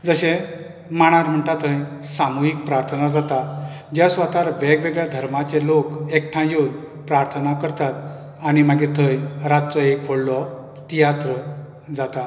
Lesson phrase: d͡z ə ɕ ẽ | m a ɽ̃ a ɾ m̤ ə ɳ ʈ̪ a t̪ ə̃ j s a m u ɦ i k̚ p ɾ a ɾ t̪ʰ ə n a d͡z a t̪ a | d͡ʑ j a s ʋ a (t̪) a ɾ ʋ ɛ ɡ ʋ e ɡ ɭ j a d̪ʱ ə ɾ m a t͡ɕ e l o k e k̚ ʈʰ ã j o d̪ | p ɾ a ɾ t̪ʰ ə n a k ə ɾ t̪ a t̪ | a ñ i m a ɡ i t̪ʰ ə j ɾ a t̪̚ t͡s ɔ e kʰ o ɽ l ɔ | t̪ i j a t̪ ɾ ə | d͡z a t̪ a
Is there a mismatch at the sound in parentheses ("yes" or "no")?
no